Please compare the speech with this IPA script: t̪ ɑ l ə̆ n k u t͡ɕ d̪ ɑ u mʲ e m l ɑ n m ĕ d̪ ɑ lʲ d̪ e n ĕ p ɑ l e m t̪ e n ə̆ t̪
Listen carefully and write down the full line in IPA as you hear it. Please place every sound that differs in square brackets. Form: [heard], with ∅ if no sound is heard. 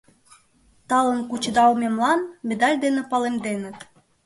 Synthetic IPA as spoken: t̪ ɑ l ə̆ n k u t͡ɕ d̪ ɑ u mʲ e m l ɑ n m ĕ d̪ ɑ lʲ d̪ e n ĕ p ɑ l e m [d̪] e n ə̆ t̪

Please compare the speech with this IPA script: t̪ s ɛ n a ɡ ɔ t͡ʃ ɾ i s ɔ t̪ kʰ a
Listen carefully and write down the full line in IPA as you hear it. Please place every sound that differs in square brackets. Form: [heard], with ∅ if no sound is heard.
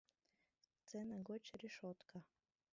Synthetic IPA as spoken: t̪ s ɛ n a ɡ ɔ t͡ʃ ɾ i [ʃ] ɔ t̪ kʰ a

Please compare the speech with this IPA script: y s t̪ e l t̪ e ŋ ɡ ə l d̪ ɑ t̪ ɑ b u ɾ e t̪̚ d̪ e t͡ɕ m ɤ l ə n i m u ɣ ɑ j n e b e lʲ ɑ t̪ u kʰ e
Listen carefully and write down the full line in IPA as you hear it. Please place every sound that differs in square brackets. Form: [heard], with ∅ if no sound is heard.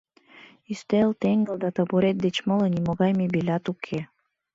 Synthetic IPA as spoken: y s t̪ e l t̪ e ŋ ɡ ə l d̪ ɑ t̪ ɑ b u ɾ e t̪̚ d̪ e t͡ɕ m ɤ l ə n i m [o] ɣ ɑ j [m] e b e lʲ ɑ t̪ u kʰ e

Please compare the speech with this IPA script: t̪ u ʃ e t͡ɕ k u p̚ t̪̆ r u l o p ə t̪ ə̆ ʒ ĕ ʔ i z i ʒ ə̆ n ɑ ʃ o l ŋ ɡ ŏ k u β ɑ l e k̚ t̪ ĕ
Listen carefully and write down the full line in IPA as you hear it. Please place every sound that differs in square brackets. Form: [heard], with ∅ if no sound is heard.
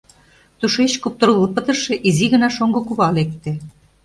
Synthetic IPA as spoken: t̪ u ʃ e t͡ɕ k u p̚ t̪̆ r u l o p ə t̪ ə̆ [ʃ] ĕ ʔ i z i [ɣ] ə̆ n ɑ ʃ o [∅] ŋ ɡ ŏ k u β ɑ l e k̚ t̪ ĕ

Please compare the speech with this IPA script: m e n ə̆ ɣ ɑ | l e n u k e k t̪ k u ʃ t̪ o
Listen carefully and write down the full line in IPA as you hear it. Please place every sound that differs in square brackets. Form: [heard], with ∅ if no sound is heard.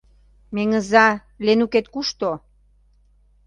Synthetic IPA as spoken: m e [ŋ] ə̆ [z] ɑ | l e n u k e [∅] t̪ k u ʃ t̪ o

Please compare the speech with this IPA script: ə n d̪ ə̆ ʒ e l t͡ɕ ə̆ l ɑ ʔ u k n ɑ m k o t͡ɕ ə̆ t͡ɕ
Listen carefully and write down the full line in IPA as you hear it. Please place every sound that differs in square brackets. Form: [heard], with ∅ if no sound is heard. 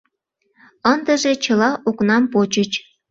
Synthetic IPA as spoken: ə n d̪ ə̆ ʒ e [∅] t͡ɕ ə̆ l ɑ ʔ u k n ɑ m [p] o t͡ɕ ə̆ t͡ɕ

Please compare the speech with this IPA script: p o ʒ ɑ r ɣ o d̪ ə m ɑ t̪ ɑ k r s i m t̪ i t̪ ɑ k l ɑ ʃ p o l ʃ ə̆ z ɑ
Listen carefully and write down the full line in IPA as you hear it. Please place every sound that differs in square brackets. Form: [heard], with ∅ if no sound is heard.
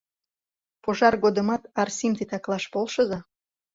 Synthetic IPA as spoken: p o ʒ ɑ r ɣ o d̪ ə m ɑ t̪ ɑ [∅] r s i m t̪ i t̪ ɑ k l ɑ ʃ p o l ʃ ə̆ z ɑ

